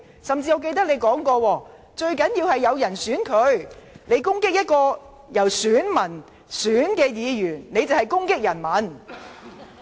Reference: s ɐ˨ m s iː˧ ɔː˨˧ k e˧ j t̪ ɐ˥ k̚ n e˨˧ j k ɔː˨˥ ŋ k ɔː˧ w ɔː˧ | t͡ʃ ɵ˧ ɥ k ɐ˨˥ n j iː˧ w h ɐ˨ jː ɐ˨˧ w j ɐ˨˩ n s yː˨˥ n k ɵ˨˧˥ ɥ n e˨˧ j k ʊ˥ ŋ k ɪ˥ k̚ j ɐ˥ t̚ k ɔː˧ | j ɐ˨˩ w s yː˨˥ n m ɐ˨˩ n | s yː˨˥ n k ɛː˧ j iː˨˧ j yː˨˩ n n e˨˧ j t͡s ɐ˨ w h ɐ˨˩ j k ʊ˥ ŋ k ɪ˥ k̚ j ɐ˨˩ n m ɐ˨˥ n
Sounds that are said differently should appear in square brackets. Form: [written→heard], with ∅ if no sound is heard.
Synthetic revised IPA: s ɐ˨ m [s→t͡s] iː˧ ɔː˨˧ k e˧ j t̪ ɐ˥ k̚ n e˨˧ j k ɔː˨˥ ŋ k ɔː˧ w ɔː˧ | t͡ʃ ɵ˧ ɥ k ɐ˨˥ n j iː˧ w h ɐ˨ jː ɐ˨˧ w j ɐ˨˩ n s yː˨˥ n [k→kʰ] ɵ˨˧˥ ɥ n e˨˧ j k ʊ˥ ŋ k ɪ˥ k̚ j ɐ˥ t̚ k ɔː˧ | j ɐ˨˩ w s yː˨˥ n m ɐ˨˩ n | s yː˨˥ n k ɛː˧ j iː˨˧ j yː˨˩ n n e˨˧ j t͡s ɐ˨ w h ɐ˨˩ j k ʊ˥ ŋ k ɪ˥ k̚ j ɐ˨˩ n m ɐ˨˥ n